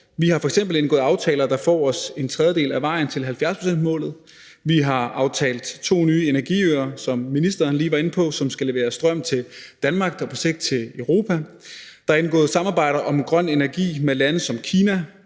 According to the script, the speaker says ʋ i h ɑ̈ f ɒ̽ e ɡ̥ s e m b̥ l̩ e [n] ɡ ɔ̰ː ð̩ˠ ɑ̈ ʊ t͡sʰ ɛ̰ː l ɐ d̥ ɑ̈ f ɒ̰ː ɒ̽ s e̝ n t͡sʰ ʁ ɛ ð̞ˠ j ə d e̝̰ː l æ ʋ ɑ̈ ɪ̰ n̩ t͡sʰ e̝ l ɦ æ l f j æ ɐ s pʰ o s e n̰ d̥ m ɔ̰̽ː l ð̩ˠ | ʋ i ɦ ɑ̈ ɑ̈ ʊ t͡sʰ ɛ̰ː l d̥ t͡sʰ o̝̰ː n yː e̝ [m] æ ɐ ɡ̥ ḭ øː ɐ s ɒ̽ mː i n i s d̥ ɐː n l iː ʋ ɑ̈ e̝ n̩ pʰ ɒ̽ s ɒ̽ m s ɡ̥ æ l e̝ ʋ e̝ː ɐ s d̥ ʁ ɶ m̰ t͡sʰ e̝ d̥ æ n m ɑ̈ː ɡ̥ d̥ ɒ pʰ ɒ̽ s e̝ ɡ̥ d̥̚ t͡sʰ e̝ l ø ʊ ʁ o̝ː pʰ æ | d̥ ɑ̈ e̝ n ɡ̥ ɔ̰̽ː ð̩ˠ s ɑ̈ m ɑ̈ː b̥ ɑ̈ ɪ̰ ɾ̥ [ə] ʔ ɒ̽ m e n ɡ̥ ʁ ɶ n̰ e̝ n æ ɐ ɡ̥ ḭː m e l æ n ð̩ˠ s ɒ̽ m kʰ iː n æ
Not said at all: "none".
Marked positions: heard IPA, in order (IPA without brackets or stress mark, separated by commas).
n, n, ɐ